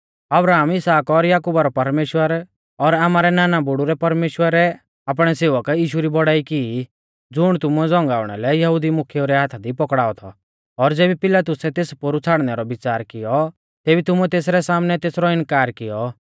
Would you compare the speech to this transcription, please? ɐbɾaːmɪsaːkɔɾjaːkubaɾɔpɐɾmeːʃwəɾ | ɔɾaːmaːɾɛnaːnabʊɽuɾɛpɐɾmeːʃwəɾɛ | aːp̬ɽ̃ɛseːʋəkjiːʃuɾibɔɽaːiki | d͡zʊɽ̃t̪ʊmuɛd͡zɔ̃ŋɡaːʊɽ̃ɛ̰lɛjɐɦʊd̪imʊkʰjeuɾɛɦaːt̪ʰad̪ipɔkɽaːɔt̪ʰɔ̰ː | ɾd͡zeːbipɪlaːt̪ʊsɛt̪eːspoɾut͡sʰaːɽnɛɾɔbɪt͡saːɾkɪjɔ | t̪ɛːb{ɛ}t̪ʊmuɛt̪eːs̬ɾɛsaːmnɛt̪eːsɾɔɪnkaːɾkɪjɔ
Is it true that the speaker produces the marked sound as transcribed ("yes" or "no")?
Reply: no